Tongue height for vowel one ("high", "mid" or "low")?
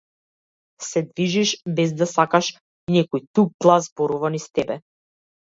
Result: mid